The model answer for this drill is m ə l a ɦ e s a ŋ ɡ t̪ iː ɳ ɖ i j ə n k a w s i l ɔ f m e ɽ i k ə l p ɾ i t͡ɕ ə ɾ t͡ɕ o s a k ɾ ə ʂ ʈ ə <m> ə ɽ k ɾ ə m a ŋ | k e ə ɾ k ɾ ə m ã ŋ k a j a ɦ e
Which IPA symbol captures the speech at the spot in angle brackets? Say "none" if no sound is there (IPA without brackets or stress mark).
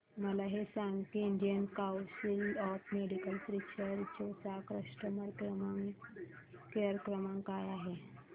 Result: m